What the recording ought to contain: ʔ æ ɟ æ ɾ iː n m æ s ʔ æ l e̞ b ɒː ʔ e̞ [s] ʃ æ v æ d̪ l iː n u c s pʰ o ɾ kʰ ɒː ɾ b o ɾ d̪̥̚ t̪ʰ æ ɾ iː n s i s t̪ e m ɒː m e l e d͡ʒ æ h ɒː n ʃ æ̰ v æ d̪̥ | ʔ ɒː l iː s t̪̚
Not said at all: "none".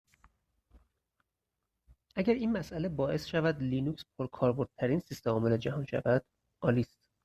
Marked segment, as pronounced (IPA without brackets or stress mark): s